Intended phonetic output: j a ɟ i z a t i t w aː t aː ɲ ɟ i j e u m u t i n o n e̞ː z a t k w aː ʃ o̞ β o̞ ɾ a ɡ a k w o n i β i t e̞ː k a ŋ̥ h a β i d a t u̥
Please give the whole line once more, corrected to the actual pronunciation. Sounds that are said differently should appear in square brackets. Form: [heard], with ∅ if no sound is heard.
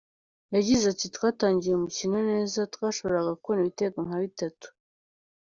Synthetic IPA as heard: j a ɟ i z a t i t w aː t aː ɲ ɟ i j e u m u [c] i n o n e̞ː z a t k w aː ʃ o̞ β o̞ ɾ a ɡ a k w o n i β i t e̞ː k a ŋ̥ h a β i [t] a t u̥